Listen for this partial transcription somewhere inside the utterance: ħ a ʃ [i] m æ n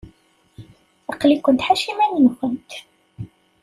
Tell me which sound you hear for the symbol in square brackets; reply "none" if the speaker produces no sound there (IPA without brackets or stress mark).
i